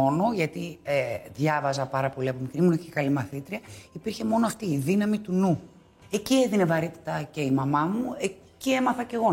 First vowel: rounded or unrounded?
rounded